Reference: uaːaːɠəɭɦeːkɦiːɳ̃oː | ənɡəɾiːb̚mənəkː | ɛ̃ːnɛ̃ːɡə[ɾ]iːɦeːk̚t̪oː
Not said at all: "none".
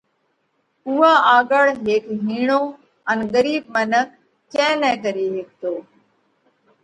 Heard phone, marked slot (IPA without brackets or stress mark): ɾ